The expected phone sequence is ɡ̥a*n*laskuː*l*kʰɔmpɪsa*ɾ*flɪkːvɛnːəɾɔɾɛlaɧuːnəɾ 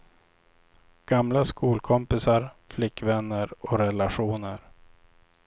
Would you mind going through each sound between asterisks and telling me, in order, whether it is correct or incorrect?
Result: incorrect, correct, correct

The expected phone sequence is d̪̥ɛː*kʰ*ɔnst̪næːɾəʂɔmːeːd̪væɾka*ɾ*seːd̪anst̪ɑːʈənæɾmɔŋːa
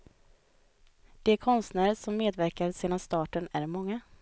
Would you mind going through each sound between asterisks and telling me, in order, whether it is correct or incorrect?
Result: correct, correct

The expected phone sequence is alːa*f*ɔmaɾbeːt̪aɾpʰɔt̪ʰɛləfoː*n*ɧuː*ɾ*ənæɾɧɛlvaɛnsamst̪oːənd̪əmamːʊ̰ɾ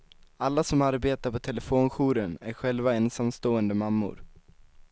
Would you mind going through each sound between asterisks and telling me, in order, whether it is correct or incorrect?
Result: incorrect, correct, correct

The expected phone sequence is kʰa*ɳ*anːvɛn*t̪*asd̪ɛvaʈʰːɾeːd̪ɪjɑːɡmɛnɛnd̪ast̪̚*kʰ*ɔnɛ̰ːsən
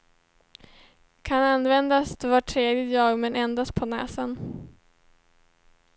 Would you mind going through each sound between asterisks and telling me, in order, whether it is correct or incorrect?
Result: incorrect, incorrect, incorrect

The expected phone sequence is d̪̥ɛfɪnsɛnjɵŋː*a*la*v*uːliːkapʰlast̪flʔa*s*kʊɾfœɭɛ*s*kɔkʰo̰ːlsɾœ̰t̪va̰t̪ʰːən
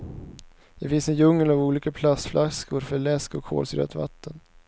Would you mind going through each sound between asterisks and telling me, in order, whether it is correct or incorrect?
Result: incorrect, correct, correct, correct

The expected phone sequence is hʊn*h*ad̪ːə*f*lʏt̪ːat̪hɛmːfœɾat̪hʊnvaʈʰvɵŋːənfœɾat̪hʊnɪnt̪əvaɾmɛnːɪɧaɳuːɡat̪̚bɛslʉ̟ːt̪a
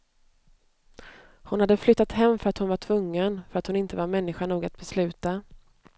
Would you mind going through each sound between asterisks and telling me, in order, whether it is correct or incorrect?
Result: correct, correct

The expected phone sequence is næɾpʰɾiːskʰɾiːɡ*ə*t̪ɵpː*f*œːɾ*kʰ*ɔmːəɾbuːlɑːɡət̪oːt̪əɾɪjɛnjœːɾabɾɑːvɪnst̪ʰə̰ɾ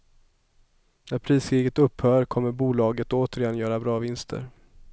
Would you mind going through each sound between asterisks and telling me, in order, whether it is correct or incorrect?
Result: correct, incorrect, correct

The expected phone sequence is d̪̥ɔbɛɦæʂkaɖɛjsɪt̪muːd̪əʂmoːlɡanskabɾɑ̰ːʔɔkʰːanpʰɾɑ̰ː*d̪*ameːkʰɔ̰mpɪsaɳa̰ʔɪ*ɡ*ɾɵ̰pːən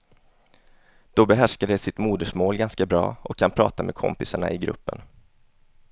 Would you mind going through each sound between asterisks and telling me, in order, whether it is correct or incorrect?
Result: incorrect, correct

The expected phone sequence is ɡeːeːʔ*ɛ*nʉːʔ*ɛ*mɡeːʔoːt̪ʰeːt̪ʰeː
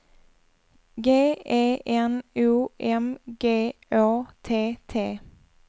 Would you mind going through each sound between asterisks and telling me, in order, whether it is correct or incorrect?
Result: correct, correct

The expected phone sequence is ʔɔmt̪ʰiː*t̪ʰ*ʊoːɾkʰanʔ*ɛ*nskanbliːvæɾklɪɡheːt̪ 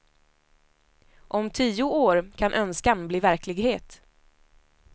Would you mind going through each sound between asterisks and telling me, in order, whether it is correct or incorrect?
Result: incorrect, incorrect

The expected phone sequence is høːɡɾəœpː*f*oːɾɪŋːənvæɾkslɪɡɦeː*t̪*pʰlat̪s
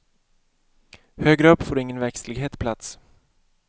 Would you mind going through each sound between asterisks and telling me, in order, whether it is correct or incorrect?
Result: correct, correct

